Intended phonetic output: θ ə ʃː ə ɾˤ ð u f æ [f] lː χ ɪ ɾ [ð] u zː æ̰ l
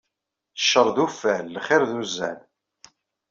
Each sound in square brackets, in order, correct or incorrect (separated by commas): incorrect, correct